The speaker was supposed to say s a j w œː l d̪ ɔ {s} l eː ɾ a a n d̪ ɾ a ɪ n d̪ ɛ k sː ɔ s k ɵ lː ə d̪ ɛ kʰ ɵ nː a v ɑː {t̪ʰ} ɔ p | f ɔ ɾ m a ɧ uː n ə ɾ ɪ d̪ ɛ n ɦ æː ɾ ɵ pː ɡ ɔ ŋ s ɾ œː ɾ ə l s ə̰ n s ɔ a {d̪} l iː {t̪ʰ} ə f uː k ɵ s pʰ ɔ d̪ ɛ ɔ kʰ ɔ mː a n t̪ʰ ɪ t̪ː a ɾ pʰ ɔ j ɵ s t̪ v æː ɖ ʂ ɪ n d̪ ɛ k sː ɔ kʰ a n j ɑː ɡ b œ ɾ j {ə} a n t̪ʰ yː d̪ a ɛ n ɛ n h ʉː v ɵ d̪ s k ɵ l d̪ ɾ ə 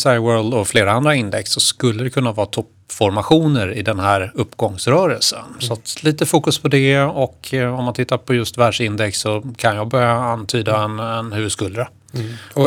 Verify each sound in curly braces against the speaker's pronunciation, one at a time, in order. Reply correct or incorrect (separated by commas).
incorrect, correct, incorrect, incorrect, incorrect